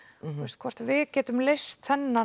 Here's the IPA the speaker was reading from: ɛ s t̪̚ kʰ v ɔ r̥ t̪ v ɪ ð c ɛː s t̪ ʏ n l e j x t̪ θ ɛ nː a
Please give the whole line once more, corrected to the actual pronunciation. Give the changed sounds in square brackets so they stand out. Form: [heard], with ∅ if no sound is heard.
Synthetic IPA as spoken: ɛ s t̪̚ kʰ v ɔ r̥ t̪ v ɪ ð c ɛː [∅] t̪ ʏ [m] l e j [s] t̪ θ ɛ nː a